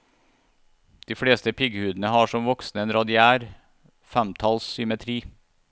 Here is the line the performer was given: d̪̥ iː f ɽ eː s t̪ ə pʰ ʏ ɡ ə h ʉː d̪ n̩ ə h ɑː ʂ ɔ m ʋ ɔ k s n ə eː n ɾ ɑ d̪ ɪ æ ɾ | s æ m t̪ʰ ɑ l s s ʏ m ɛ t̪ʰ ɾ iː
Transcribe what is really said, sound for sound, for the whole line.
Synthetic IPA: d̪̥ iː f ɽ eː s t̪ ə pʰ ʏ ɡ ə h ʉː d̪ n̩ ə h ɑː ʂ ɔ m ʋ ɔ k s n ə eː n ɾ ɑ d̪ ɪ æː ɾ | f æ m t̪ʰ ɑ l s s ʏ m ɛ t̪ʰ ɾ iː